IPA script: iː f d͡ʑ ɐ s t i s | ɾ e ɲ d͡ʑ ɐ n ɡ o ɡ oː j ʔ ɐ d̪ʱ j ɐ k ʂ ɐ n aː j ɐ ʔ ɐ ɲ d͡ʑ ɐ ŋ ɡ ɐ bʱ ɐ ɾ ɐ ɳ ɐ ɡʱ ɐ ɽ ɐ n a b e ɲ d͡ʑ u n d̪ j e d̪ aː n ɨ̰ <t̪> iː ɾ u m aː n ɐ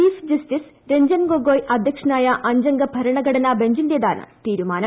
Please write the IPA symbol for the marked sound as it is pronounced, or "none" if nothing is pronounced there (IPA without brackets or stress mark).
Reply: t̪